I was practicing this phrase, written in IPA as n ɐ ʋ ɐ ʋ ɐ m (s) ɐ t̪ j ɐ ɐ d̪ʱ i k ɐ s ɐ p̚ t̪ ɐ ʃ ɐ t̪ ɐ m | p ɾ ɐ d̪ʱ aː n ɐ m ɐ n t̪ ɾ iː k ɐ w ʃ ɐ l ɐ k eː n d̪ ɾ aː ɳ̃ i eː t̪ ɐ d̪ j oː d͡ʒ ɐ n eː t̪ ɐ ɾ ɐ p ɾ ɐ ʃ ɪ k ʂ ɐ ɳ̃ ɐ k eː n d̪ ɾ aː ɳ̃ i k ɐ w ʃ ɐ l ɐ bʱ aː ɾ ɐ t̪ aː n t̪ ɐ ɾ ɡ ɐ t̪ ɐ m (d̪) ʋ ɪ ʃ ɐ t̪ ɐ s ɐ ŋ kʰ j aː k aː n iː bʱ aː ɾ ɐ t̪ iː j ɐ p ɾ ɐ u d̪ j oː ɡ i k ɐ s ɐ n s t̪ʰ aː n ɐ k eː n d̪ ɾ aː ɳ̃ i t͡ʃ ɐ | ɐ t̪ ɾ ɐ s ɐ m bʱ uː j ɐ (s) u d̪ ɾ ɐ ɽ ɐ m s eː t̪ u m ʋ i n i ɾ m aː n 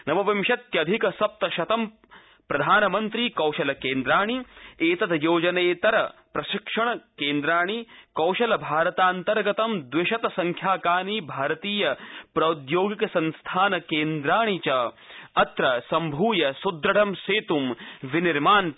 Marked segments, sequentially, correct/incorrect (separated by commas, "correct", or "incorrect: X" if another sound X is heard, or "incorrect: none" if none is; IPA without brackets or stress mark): incorrect: ʃ, correct, correct